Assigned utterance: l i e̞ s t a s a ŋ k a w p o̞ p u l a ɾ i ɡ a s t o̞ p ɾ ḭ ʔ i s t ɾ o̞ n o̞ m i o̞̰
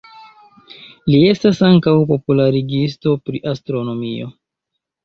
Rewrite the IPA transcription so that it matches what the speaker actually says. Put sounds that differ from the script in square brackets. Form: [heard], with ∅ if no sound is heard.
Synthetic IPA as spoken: l i e̞ s t a s a ŋ k a w p o̞ p u l a ɾ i ɡ [i] s t o̞ p ɾ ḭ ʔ [a] s t ɾ o̞ n o̞ m i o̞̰